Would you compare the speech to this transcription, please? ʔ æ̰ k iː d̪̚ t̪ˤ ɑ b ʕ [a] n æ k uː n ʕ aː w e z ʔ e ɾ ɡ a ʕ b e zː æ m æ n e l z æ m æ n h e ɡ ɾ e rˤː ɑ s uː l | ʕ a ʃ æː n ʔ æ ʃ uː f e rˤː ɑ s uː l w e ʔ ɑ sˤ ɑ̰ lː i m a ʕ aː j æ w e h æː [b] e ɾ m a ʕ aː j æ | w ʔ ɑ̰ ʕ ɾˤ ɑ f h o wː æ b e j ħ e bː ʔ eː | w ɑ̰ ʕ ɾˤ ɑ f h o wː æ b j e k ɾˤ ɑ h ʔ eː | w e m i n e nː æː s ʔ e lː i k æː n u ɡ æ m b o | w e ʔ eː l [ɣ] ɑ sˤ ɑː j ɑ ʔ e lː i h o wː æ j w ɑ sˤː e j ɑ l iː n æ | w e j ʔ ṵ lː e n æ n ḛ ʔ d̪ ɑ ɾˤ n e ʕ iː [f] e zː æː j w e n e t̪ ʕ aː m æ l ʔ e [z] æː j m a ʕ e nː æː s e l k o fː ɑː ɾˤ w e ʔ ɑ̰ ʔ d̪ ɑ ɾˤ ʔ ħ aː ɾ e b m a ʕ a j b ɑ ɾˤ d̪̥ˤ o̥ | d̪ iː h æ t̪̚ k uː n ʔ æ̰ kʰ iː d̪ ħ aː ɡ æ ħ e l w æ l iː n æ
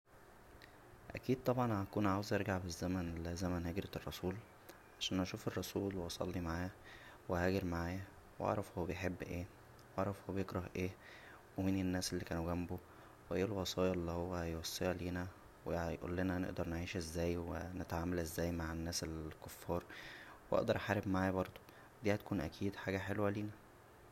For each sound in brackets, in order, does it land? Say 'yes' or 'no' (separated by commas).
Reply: no, no, no, no, no